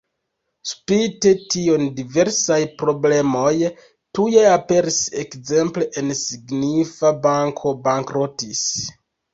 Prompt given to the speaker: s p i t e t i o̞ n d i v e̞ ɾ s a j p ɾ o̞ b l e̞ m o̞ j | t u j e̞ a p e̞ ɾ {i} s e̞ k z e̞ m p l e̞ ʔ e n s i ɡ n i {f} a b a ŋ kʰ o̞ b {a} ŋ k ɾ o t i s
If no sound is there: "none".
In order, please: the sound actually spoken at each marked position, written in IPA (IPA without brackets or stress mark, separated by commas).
i, f, a